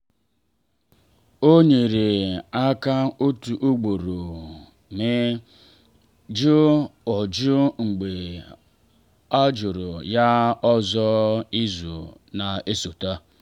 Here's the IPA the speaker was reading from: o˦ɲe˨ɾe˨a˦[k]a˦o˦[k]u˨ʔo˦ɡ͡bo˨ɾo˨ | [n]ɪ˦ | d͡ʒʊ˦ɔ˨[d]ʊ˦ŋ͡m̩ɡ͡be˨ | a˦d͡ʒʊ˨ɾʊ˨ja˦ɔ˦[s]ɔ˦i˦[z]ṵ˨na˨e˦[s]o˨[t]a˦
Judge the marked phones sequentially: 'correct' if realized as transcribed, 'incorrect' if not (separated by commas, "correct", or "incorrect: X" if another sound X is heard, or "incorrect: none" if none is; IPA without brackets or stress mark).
correct, incorrect: t, incorrect: m, incorrect: d͡ʒ, incorrect: z, correct, correct, correct